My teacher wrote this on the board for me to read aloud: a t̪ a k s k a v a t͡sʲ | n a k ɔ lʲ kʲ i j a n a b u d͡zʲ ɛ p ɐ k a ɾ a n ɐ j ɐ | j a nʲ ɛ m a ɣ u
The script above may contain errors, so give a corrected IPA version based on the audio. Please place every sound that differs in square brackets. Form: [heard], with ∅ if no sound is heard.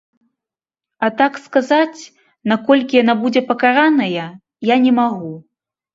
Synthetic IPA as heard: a t̪ a k s k a [z] a t͡sʲ | n a k ɔ lʲ kʲ i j a n a b u d͡zʲ ɛ p ɐ k a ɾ a n ɐ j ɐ | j a nʲ ɛ m a ɣ u